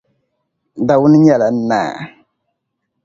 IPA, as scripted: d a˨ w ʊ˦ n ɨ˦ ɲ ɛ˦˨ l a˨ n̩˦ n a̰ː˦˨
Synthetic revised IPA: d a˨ w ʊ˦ n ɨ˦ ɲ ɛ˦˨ l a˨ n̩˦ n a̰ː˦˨

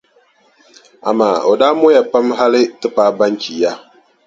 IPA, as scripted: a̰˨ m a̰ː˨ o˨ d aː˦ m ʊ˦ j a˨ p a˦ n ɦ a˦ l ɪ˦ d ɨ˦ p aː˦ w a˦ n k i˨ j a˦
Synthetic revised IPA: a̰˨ m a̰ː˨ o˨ d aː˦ m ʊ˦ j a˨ p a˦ m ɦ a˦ l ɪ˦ t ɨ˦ p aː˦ b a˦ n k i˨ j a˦

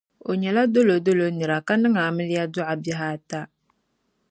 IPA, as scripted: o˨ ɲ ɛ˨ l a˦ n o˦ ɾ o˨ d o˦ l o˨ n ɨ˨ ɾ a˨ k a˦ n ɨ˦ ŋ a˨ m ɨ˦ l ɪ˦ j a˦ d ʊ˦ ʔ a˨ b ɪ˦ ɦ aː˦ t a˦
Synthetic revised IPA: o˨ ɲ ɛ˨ l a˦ d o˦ l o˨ d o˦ l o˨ n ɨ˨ ɾ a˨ k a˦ n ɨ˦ ŋ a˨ m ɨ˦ l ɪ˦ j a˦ d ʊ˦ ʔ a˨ b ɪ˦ ɦ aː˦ t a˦

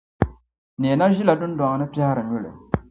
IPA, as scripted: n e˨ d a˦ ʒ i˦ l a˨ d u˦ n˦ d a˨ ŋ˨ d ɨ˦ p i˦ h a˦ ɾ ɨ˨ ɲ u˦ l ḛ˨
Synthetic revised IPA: n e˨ n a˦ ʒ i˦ l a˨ d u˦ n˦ d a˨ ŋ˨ n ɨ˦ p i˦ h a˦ ɾ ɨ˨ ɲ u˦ l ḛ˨

